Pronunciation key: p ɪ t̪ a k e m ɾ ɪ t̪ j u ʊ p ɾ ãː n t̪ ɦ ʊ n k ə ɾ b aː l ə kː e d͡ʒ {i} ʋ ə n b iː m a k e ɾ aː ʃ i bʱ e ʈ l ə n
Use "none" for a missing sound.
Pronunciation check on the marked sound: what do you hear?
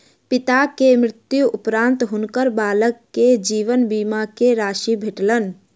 iː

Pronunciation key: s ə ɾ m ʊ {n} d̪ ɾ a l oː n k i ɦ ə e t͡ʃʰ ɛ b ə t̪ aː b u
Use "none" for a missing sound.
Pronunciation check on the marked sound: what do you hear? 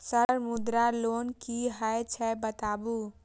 none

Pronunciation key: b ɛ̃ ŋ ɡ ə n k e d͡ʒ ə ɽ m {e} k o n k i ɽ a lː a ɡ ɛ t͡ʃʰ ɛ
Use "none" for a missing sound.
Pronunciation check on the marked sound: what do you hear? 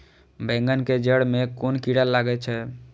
e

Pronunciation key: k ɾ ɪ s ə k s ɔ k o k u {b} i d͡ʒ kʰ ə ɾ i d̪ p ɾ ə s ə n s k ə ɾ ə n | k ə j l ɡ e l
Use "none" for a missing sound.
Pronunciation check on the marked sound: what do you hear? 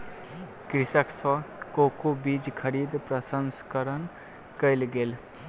b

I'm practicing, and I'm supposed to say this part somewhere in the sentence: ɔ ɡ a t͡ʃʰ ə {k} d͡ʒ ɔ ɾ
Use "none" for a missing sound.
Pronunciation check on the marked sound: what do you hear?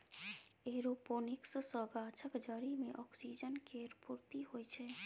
k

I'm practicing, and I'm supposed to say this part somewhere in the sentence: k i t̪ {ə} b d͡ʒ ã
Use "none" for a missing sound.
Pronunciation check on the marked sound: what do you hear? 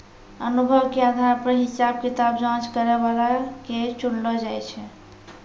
a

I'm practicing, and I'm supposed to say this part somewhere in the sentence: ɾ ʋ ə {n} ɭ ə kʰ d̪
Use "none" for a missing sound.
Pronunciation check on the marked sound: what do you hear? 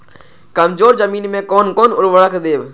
none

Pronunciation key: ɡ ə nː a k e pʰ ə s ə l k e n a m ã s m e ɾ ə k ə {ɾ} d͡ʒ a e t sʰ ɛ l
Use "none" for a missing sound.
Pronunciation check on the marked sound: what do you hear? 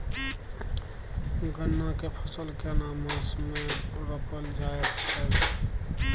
l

